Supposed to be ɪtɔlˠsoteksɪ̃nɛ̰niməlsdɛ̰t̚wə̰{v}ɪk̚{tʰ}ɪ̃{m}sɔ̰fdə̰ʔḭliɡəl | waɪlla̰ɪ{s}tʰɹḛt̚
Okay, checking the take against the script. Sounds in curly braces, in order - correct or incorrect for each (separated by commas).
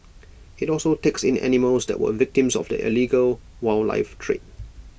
correct, incorrect, correct, incorrect